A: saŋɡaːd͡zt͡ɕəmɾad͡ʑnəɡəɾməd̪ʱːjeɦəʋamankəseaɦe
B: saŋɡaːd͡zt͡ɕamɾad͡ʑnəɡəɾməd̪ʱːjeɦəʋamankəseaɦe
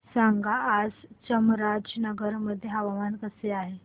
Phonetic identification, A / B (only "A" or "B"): A